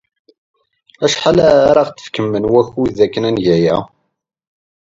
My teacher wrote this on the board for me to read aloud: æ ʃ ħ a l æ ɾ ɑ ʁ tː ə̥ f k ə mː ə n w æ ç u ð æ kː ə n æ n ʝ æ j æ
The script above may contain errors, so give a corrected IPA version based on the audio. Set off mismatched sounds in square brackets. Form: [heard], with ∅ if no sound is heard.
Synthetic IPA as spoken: æ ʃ ħ a l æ ɾ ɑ ʁ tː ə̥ f k ə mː ə n w æ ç u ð æ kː ə n æ n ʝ æ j æ